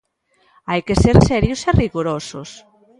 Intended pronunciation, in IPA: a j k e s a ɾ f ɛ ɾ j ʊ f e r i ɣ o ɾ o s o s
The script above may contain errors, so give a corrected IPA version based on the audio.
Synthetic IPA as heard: a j k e s e ɾ s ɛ ɾ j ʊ s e r i ɣ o ɾ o s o s